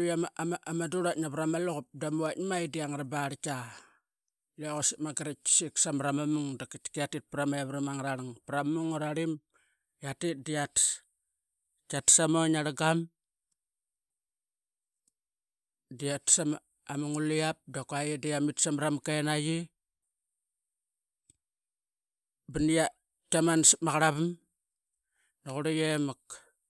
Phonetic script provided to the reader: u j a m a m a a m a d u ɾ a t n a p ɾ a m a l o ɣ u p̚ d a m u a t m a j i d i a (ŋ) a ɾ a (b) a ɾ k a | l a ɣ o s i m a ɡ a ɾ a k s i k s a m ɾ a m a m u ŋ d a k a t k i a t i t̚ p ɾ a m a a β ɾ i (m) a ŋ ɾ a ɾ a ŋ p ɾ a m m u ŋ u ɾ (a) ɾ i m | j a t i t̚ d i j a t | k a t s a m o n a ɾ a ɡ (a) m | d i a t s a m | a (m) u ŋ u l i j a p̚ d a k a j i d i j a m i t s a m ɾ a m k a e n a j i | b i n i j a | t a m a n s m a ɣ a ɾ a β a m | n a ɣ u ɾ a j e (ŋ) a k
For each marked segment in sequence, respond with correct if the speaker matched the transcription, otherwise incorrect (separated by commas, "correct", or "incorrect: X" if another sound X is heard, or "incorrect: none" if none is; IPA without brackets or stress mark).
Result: correct, correct, correct, correct, correct, correct, incorrect: m